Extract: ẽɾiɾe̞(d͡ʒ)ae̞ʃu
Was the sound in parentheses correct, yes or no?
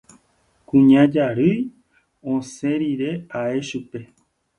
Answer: no